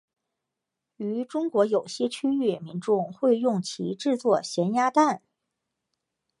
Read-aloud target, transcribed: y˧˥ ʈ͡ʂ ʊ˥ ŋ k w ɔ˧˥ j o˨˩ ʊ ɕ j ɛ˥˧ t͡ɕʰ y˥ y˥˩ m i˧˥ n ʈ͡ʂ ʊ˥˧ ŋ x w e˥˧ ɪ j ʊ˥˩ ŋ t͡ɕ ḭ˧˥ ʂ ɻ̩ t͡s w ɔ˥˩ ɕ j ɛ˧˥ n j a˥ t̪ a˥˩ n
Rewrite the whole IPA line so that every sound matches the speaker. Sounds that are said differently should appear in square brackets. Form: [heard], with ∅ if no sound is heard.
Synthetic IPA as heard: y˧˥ ʈ͡ʂ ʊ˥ ŋ k w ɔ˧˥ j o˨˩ ʊ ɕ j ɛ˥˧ t͡ɕʰ y˥ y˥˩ m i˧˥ n ʈ͡ʂ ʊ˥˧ ŋ x w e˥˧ ɪ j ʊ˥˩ ŋ [t͡ɕʰ] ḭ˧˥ [ʈ͡ʂ] ɻ̩ t͡s w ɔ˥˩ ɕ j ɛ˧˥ n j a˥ t̪ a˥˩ n